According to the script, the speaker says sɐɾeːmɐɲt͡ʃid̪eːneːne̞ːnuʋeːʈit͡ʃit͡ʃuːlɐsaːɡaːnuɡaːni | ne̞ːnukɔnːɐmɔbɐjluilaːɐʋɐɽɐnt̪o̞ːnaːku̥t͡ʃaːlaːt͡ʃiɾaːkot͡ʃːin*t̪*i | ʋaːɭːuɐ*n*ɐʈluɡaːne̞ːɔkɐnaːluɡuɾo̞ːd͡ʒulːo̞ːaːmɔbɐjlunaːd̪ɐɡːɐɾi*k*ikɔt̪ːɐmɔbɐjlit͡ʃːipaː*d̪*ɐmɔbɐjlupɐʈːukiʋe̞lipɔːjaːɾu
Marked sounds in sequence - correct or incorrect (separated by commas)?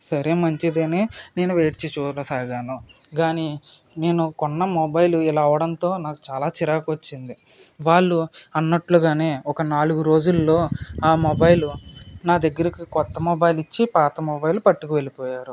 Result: incorrect, incorrect, correct, incorrect